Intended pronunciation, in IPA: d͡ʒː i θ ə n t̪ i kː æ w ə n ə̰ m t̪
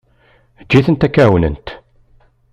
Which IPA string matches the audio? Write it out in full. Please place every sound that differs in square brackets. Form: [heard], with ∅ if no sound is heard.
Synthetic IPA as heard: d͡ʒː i θ ə n t̪ [æ] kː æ w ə n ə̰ [n] t̪